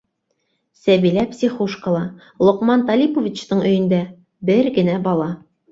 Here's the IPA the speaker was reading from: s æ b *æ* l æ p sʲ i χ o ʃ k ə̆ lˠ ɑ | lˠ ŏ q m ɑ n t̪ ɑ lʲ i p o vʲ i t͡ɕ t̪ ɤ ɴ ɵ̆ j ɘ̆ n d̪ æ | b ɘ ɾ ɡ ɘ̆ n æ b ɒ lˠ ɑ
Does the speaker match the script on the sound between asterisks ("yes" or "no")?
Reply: no